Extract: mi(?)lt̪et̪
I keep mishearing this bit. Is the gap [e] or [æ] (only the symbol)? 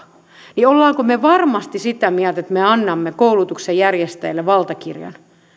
æ